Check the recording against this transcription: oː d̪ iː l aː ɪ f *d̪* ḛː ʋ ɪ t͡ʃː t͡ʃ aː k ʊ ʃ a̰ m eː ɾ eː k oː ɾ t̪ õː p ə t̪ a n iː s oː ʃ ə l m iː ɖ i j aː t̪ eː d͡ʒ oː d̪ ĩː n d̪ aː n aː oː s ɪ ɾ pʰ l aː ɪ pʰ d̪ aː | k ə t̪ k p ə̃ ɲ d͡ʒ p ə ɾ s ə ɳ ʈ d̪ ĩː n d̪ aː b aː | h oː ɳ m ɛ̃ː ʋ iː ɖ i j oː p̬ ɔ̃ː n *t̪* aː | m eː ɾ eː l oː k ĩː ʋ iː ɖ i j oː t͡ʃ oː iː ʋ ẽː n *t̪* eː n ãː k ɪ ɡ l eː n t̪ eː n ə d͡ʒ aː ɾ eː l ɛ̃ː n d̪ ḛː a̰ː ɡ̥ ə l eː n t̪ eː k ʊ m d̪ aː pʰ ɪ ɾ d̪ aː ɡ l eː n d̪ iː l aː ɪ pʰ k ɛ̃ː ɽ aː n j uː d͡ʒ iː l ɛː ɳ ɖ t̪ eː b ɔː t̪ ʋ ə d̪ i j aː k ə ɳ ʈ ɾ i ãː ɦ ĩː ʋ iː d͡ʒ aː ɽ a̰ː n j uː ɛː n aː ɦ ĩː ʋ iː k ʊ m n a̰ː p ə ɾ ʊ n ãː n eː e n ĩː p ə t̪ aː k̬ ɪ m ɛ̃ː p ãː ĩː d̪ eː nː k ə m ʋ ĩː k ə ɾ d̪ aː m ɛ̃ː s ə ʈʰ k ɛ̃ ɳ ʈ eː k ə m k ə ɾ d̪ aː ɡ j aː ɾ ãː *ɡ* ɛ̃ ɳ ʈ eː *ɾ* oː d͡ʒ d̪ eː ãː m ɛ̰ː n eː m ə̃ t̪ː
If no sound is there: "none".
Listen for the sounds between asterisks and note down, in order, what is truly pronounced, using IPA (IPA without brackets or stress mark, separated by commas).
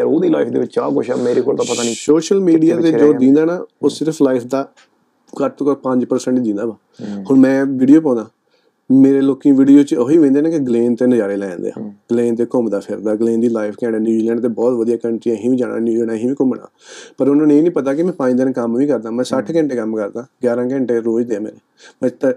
d̪, d̪, d̪, k, ɾ